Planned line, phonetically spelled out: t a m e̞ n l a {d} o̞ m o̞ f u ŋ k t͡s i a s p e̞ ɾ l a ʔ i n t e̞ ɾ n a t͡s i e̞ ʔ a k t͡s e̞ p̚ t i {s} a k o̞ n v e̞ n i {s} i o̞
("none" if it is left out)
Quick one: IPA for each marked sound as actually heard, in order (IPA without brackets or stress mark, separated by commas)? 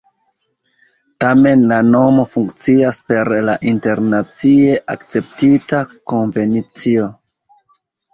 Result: n, t, t͡s